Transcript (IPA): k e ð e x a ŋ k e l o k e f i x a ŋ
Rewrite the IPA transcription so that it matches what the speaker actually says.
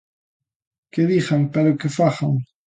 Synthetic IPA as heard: k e ð i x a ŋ p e ɾ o k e f a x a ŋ

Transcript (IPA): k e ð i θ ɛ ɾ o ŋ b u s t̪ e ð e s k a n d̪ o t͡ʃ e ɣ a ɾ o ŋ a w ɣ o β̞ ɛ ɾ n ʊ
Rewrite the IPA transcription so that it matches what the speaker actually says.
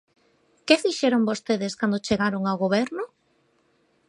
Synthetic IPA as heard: k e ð i ʃ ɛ ɾ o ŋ b o s t̪ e ð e s k a n d̪ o t͡ʃ e ɣ a ɾ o ŋ a w ɣ o β̞ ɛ ɾ n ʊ

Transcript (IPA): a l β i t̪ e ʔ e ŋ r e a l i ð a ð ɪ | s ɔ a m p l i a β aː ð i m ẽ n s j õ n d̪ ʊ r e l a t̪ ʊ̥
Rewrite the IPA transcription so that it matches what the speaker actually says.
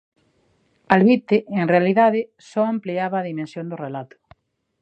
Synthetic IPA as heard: a l β i t̪ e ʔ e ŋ r e a l i ð a ð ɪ | s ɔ a m p l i a β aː ð i m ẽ n s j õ n d̪ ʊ r e l a t̪ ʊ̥

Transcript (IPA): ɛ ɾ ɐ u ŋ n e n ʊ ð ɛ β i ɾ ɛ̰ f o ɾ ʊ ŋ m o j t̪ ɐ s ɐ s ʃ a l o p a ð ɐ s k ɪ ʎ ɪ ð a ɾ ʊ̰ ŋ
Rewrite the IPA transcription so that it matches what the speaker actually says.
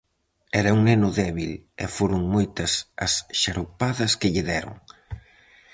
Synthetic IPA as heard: ɛ ɾ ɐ u ŋ n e n ʊ ð ɛ β i l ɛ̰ f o ɾ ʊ ŋ m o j t̪ ɐ s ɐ s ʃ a ɾ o p a ð ɐ s k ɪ ʎ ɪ ð ɛ ɾ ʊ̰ ŋ

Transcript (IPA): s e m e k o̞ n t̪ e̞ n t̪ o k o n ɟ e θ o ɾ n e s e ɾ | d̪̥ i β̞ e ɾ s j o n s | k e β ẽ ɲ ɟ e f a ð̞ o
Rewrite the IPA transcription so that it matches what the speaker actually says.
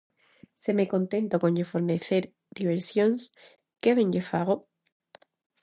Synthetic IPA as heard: s e m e k o̞ n t̪ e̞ n t̪ o k o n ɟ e f o ɾ n e θ e ɾ | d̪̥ i β̞ e ɾ s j o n s | k e β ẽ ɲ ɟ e f a ɣ̞ o

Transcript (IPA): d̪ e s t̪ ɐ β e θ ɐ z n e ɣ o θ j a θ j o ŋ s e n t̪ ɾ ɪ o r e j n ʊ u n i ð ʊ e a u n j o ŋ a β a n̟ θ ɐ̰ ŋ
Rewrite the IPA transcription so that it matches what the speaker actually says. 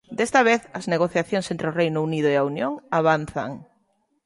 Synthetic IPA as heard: d̪ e s t̪ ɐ β e θ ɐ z n e ɣ o θ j a θ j o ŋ s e n t̪ ɾ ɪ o r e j n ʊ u n i ð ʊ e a u n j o ŋ a β a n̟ θ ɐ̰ ŋ

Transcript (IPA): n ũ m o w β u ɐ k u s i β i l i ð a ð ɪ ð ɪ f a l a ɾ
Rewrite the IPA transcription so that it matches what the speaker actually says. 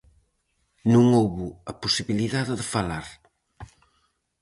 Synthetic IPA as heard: n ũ ŋ o w β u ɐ p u s i β i l i ð a ð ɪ ð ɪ f a l a ɾ

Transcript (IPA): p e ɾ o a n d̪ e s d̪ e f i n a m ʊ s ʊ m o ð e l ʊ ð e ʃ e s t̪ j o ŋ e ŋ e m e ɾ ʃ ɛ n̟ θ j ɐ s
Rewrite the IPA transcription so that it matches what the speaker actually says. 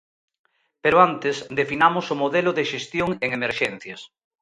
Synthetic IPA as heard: p e ɾ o a n t̪ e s d̪ e f i n a m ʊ s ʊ m o ð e l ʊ ð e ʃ e s t̪ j o ŋ e ŋ e m e ɾ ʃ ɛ n̟ θ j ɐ s

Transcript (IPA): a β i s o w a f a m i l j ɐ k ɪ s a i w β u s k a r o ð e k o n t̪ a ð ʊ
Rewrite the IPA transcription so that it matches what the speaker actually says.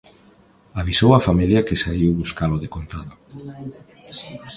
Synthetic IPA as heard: a β i s o w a f a m i l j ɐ k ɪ s a i w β u s k a l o ð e k o n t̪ a ð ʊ

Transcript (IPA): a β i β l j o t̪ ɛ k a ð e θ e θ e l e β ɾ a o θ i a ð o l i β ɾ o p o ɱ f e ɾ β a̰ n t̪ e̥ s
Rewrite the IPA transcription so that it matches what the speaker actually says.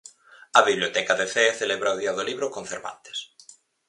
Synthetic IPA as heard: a β i β l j o t̪ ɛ k a ð e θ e θ e l e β ɾ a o ð i a ð o l i β ɾ o k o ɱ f e ɾ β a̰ n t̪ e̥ s

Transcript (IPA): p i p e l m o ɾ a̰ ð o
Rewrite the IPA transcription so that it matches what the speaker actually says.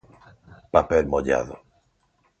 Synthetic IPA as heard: p a p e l m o ʎ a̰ ð o

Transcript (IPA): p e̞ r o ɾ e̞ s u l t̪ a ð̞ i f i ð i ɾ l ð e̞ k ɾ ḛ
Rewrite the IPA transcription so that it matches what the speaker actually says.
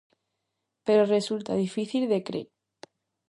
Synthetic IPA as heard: p e̞ ɾ o r e̞ s u l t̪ a ð̞ i f i θ i l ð e̞ k ɾ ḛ

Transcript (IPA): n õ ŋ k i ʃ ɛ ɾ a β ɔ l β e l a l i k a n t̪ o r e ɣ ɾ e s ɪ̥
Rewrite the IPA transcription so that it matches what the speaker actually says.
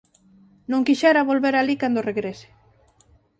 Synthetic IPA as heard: n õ ŋ k i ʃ ɛ ɾ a β o l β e ɾ a l i k a n d̪ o r e ɣ ɾ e s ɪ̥

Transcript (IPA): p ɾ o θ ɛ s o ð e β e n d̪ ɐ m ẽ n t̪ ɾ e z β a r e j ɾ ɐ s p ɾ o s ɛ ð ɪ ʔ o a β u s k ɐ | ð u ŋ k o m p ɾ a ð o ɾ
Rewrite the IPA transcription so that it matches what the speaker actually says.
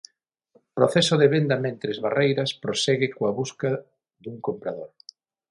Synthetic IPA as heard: p ɾ o θ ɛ s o ð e β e n d̪ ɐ m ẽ n t̪ ɾ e z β a r e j ɾ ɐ s p ɾ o s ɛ ɣ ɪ k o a β u s k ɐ | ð u ŋ k o m p ɾ a ð o ɾ

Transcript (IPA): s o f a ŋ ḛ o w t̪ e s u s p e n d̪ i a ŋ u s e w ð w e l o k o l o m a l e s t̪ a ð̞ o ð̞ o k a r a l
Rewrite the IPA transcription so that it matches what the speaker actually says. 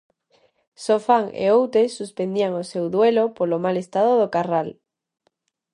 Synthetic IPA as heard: s o f a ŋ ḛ o w t̪ e s u s p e n d̪ i a ŋ o s e w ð w e l o p o l o m a l e s t̪ a ð̞ o ð̞ o k a r a l

